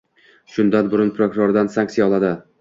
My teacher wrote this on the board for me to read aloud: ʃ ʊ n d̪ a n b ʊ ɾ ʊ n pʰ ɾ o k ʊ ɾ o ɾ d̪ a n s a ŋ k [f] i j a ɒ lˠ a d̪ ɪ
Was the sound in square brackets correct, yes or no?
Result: no